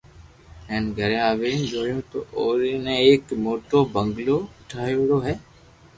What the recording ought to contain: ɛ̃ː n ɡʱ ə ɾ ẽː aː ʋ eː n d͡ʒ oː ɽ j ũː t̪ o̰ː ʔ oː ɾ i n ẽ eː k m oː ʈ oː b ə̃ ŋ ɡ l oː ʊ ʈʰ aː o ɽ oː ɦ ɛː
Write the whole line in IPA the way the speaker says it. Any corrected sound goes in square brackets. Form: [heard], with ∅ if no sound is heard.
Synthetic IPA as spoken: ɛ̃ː n ɡʱ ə ɾ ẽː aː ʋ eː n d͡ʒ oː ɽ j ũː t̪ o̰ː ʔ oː ɾ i n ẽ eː k m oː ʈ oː b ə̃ ŋ ɡ l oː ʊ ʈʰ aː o ɽ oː ɦ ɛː